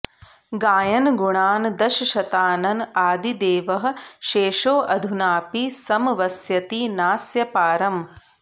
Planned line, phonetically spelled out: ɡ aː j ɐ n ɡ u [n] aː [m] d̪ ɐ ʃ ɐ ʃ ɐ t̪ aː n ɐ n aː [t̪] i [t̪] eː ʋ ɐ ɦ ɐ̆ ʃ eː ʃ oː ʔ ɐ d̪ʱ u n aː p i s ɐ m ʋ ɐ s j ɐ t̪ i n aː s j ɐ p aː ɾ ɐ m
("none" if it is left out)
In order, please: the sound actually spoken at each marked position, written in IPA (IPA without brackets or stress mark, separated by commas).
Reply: ɳ, n, d̪, d̪